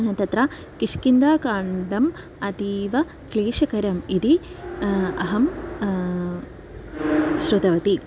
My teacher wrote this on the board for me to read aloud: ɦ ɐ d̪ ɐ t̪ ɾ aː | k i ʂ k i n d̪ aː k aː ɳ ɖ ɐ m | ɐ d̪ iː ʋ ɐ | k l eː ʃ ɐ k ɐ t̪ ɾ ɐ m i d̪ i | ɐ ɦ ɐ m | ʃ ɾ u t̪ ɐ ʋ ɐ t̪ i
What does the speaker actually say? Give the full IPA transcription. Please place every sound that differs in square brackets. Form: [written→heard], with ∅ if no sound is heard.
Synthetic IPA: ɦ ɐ [d̪→t̪] ɐ t̪ ɾ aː | k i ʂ k i n d̪ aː k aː ɳ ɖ ɐ m | ɐ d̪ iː ʋ ɐ | k l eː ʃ ɐ k ɐ [t̪→∅] ɾ ɐ m i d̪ i | ɐ ɦ ɐ m | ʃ ɾ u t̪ ɐ ʋ ɐ t̪ i